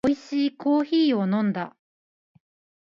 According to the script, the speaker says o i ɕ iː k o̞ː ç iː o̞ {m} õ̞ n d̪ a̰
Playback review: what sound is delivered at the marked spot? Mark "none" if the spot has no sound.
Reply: n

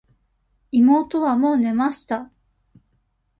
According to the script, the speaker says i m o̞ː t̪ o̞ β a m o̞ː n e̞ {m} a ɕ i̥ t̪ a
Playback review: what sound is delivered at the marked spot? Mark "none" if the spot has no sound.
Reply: m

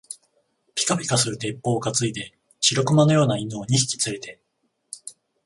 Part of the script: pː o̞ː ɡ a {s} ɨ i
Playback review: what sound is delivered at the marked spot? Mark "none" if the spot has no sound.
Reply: t͡s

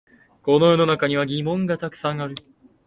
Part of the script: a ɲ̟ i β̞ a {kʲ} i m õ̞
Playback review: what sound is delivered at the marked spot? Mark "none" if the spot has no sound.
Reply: ɡʲ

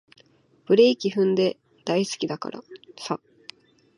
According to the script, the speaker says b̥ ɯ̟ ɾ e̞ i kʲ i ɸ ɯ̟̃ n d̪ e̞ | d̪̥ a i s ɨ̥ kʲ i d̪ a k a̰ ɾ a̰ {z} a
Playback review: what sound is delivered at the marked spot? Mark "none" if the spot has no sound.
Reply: s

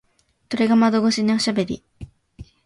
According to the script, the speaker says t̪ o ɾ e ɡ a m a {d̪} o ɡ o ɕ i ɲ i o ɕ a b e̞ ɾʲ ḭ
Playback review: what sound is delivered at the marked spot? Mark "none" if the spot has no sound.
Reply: d̪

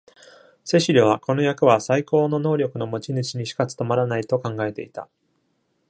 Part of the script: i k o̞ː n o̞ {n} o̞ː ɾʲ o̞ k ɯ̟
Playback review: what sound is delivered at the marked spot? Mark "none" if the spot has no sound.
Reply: n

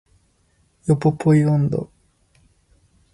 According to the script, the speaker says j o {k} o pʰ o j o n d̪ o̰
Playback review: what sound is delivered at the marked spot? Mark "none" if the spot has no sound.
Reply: p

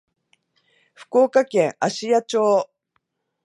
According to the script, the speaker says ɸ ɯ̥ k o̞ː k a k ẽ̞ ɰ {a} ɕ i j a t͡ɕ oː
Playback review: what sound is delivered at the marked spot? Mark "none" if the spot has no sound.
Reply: a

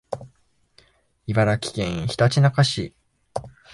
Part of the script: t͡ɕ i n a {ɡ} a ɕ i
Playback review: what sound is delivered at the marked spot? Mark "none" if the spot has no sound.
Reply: k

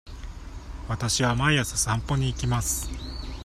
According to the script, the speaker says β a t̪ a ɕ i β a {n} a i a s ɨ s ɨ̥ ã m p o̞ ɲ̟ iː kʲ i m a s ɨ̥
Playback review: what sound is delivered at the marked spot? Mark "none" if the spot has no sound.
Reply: m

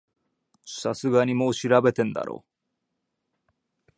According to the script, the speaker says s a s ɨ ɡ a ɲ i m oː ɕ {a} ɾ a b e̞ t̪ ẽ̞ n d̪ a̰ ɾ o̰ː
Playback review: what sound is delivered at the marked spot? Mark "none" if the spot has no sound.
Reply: i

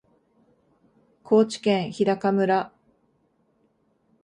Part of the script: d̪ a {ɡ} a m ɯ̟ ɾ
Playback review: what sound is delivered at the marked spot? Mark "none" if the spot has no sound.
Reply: k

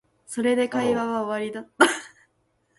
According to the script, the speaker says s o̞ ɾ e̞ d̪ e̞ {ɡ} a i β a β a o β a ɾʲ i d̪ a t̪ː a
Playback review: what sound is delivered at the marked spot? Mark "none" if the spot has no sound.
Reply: k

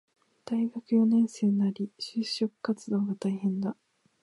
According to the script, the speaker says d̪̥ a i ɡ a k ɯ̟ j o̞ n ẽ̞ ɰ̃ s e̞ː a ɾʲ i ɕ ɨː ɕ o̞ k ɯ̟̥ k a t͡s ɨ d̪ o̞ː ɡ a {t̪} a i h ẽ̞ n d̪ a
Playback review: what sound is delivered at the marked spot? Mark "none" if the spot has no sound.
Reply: t̪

